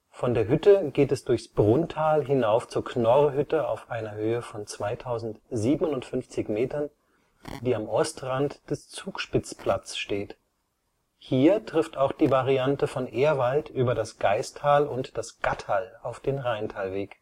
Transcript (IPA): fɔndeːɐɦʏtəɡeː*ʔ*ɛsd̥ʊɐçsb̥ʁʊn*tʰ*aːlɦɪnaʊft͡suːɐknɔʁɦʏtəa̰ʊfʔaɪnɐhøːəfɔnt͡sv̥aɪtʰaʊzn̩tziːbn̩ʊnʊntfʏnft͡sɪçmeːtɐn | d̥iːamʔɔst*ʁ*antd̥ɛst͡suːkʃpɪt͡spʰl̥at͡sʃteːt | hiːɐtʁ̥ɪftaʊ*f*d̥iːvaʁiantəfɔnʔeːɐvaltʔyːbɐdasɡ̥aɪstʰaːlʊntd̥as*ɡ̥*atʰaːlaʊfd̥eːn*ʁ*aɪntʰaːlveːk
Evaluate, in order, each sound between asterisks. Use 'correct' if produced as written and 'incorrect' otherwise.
incorrect: t, correct, correct, incorrect: x, correct, correct

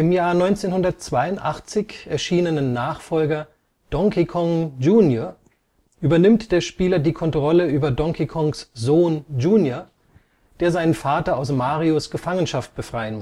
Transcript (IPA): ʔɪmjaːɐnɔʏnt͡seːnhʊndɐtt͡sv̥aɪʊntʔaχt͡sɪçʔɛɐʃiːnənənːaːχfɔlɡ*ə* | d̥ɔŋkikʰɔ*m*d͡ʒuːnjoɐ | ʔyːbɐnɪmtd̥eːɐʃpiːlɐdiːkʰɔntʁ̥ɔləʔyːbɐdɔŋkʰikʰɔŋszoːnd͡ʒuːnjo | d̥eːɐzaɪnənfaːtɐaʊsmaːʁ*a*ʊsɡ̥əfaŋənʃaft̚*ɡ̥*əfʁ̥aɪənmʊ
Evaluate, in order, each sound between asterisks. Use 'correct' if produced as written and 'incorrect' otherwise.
incorrect: ɐ, incorrect: ŋ, incorrect: i, incorrect: b̥

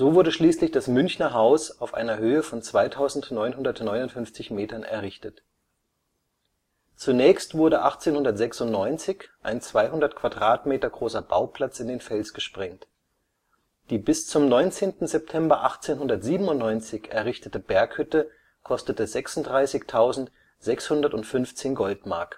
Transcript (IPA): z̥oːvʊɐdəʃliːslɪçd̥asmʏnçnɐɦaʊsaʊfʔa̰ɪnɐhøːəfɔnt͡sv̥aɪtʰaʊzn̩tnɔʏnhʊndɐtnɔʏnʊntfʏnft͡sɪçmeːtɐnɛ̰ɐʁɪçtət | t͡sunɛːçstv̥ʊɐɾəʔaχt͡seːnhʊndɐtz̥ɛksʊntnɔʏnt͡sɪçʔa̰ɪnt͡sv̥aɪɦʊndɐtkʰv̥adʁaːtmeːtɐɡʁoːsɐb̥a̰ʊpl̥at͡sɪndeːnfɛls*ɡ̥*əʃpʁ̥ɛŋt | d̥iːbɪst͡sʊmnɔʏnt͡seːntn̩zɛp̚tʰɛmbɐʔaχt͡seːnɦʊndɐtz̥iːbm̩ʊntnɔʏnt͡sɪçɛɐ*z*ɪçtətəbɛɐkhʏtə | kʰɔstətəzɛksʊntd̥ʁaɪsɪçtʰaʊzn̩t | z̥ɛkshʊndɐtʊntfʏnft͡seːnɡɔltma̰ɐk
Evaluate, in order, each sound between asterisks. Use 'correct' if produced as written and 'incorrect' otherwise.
correct, incorrect: ʁ

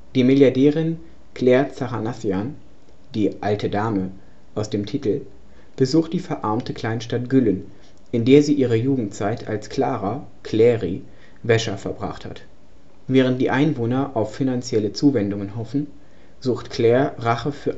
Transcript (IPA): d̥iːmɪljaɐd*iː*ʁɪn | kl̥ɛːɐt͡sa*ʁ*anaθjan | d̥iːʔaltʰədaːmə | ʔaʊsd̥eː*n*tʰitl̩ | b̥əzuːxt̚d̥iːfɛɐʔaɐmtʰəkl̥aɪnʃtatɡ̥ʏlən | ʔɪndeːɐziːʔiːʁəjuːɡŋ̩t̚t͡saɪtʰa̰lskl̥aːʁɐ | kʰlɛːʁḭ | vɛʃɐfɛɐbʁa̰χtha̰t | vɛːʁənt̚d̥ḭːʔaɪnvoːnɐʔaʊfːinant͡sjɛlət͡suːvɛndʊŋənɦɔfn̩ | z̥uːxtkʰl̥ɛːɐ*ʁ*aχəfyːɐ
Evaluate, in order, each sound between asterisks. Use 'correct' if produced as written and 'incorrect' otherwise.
incorrect: ɛː, correct, incorrect: m, correct

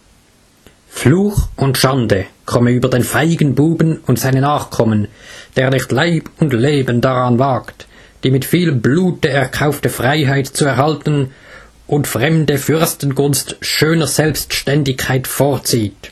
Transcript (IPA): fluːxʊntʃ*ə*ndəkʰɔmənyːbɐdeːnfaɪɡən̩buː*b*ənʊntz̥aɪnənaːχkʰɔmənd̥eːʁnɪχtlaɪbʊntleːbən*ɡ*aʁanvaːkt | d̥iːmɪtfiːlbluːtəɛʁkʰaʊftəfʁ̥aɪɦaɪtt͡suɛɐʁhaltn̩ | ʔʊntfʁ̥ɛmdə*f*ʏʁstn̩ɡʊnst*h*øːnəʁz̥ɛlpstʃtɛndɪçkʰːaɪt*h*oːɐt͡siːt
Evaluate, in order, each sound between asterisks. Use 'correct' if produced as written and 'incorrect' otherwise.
incorrect: a, correct, incorrect: d, correct, incorrect: ʃ, incorrect: f

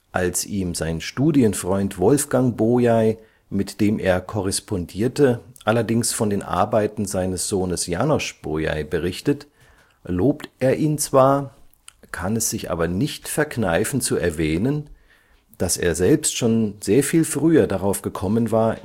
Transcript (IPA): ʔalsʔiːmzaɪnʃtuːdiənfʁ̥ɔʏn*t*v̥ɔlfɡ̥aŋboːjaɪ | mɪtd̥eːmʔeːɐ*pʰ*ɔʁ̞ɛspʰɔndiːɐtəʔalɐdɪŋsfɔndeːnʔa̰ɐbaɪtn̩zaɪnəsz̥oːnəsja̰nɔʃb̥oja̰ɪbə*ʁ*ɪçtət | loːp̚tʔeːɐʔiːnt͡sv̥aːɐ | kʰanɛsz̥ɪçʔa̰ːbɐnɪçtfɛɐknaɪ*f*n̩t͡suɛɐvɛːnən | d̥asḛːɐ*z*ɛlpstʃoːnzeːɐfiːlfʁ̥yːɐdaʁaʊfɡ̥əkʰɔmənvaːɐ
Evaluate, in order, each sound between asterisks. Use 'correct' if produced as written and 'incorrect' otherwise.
correct, incorrect: kʰ, correct, correct, correct

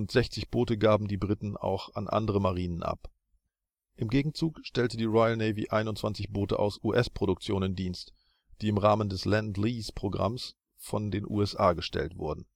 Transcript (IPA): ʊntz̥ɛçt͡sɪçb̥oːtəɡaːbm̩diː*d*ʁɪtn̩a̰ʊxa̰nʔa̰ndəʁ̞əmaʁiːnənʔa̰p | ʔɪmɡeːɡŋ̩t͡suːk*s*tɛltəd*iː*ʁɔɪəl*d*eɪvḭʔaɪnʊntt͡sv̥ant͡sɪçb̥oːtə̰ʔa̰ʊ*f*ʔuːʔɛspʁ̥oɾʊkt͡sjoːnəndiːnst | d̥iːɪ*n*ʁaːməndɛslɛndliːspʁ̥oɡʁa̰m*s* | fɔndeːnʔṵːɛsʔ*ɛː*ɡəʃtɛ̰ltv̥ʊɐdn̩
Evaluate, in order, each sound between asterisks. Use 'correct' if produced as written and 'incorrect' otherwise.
incorrect: b, incorrect: ʃ, correct, incorrect: n, incorrect: s, incorrect: m, correct, incorrect: aː

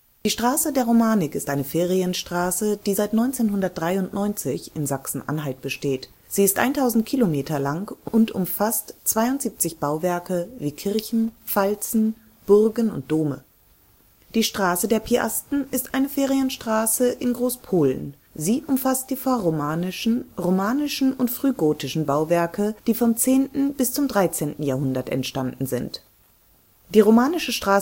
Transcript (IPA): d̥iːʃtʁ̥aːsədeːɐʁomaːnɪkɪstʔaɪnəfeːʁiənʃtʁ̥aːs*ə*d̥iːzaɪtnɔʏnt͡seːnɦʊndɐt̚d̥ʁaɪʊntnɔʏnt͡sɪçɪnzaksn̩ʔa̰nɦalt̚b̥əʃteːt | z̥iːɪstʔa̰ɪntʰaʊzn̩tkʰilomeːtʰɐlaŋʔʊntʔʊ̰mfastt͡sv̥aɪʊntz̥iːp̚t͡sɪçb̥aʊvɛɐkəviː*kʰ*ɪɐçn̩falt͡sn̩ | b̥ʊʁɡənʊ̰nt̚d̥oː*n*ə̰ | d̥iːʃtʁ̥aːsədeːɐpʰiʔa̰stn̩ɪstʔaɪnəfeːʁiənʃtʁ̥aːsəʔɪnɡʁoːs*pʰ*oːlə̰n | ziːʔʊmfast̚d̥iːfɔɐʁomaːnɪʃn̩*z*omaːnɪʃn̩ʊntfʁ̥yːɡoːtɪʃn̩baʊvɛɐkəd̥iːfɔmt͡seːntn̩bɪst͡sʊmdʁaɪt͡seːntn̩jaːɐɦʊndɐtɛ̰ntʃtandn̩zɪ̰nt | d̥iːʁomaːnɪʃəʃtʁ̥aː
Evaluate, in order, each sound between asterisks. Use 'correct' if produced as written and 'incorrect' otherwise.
correct, correct, incorrect: m, correct, incorrect: ʁ

